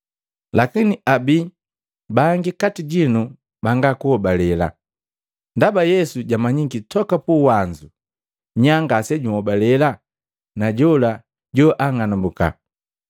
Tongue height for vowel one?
low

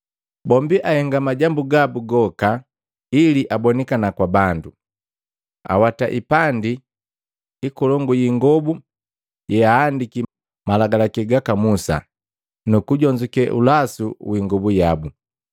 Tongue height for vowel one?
mid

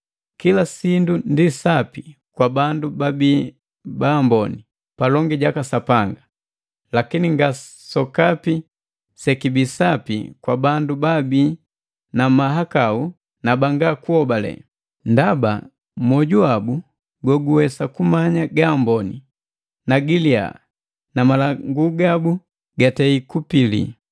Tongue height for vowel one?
high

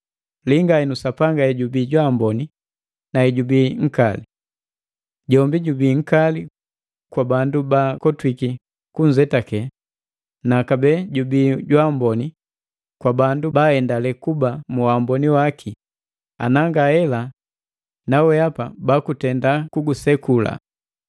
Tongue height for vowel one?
high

